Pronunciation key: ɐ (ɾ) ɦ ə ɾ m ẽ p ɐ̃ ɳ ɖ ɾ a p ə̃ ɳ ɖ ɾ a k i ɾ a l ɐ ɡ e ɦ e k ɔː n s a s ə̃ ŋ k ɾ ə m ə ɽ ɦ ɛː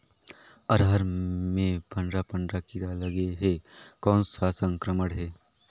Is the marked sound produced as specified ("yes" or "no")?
yes